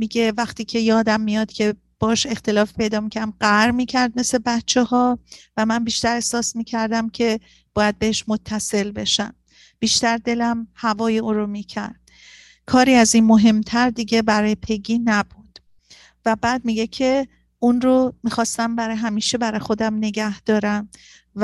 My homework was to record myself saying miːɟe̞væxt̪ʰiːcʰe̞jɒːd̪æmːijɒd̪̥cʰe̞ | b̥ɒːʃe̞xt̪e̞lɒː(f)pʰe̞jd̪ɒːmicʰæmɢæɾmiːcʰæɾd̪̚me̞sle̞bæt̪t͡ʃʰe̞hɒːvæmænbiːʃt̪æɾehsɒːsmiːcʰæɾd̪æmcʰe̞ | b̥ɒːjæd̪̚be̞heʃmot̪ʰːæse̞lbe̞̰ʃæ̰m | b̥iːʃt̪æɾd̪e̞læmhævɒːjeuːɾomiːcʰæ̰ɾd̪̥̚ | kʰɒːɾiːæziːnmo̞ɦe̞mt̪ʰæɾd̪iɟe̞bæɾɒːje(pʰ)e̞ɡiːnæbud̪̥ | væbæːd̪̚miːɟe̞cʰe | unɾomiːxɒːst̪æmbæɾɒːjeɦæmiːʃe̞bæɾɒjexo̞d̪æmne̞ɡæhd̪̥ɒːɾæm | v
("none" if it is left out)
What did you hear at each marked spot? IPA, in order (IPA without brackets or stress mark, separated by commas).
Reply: f, pʰ